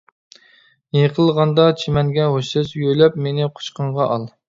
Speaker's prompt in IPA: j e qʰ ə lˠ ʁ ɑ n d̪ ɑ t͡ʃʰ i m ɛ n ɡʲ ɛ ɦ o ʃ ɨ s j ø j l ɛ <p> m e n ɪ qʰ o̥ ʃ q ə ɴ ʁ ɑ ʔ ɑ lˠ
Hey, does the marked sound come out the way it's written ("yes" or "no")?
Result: yes